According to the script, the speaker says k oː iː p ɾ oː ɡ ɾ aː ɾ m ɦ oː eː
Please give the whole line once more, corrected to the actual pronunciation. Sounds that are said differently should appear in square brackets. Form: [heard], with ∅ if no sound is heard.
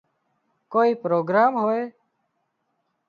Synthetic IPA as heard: k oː iː p ɾ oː ɡ ɾ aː [∅] m ɦ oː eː